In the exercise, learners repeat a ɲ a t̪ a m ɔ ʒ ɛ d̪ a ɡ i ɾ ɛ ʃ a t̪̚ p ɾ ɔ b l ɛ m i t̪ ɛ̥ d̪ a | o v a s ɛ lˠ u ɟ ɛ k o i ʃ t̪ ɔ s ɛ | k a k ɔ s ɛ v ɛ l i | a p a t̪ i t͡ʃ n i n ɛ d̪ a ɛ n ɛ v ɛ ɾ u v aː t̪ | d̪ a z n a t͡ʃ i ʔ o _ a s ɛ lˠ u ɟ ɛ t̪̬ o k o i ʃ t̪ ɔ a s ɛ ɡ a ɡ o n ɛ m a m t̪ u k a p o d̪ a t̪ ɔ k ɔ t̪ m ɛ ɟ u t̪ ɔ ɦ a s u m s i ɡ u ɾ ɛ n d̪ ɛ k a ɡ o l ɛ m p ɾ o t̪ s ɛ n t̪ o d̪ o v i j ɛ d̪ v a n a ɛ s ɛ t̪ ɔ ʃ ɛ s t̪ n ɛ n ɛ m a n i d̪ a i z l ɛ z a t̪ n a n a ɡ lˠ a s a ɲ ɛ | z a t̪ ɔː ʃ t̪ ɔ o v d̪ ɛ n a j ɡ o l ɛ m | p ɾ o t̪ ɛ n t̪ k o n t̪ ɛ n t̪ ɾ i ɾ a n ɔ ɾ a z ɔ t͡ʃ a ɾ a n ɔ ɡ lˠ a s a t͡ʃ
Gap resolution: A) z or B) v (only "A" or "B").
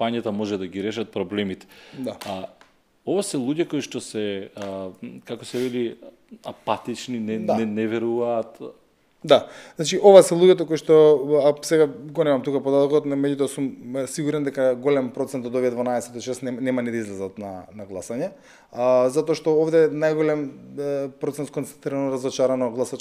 B